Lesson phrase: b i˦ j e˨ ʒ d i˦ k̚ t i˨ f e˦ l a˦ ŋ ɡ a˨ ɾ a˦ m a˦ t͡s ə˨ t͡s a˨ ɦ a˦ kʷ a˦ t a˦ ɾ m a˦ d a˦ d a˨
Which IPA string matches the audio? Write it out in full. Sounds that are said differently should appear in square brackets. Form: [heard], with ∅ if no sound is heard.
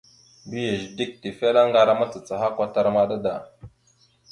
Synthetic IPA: b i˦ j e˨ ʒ d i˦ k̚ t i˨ f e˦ l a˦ ŋ ɡ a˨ ɾ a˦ m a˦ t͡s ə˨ t͡s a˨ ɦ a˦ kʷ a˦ t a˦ ɾ m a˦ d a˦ d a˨